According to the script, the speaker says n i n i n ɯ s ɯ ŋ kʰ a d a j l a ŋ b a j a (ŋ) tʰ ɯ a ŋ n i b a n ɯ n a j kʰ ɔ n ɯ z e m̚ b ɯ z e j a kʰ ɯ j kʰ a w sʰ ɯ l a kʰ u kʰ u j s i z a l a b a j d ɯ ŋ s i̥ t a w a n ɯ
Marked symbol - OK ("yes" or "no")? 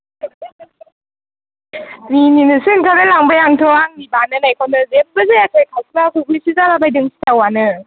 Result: yes